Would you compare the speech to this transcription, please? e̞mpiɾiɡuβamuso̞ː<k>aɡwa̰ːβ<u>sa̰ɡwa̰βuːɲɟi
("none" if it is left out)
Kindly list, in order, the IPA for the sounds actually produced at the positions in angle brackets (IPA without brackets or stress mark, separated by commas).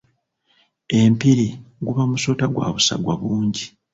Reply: t, u